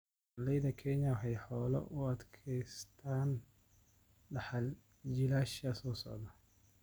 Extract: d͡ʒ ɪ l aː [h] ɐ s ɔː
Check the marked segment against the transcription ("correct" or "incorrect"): incorrect